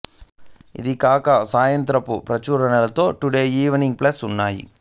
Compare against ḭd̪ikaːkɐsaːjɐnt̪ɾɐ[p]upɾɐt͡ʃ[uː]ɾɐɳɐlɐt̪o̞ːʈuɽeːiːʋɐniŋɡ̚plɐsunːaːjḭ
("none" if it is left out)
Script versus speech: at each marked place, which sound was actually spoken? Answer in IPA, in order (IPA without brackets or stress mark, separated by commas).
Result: p, uː